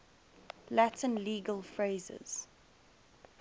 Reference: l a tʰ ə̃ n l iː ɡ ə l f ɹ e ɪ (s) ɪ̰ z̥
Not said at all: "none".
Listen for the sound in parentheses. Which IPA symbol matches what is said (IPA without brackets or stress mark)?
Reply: z